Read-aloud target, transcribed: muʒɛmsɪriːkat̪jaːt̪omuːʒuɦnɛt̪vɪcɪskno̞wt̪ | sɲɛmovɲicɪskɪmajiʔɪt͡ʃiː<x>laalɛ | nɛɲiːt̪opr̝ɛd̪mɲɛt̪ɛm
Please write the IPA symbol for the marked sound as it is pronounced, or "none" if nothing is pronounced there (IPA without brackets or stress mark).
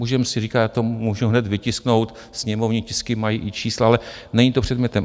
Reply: s